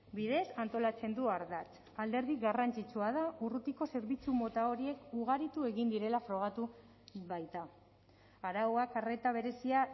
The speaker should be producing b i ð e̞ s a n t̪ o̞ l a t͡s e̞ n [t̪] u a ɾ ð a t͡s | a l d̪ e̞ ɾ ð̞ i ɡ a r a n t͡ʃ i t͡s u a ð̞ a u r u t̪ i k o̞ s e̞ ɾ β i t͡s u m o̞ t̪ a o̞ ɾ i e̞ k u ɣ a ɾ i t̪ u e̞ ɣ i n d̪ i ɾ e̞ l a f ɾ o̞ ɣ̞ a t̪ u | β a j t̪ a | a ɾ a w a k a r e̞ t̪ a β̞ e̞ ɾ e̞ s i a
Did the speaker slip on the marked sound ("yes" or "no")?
yes